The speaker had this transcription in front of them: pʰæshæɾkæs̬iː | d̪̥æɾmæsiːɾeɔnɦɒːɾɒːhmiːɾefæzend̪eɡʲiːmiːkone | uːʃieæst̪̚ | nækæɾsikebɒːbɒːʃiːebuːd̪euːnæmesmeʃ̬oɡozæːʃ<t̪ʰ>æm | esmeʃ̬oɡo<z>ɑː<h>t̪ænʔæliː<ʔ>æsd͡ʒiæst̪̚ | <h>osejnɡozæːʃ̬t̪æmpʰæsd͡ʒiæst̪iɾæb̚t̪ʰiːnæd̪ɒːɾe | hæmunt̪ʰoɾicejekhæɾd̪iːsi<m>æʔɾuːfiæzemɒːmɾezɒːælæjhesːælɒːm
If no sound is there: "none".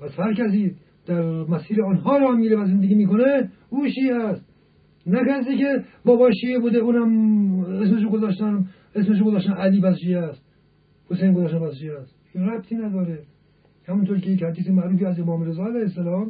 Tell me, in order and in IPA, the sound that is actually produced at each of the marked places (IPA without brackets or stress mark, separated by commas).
t̪, z, ʃ, p, h, m